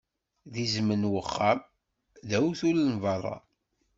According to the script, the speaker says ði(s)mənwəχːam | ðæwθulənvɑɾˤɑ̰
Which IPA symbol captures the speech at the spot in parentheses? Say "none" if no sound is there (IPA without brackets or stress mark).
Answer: z